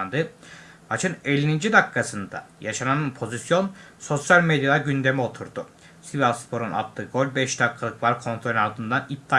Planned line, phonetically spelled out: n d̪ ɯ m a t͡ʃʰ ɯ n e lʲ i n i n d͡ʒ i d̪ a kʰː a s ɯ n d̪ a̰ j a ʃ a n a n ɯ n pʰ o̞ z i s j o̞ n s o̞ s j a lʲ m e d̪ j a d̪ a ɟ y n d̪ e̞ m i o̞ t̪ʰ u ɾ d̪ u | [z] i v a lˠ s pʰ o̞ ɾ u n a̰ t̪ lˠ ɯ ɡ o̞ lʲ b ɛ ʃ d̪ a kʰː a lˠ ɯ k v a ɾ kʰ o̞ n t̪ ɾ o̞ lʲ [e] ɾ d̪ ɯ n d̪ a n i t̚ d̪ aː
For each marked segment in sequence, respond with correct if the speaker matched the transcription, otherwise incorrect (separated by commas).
incorrect, incorrect